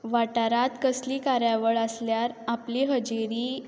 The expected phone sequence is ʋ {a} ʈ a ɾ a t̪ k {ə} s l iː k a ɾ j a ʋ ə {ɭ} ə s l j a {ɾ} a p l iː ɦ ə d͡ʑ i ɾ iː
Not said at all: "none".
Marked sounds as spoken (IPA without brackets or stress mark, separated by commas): a, ə, ɭ, ɾ